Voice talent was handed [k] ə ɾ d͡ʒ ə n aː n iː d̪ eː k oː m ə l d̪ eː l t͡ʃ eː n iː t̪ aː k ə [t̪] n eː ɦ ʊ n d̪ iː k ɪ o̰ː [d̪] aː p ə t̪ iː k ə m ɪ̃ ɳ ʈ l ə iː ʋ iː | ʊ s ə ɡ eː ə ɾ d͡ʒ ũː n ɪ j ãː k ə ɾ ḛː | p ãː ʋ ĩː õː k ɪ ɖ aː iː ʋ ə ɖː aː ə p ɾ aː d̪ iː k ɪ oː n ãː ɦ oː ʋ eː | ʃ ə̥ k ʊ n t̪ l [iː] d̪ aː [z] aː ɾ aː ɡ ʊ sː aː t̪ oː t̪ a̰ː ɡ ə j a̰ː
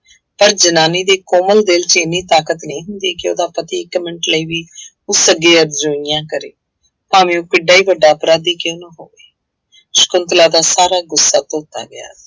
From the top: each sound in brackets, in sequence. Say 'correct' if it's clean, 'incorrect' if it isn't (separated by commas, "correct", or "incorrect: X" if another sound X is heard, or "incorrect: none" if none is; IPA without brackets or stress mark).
incorrect: p, correct, correct, incorrect: aː, incorrect: s